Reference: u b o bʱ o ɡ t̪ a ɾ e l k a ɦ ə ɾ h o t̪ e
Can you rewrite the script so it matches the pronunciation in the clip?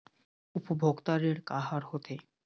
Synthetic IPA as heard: u p o bʱ o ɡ t̪ a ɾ e ɾ k a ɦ a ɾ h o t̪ e